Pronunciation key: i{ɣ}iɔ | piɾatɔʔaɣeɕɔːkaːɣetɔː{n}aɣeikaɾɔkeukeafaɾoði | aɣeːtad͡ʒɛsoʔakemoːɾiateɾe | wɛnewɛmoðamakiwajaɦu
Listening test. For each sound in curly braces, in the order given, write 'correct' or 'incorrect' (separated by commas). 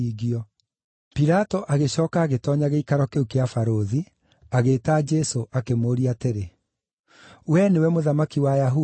correct, incorrect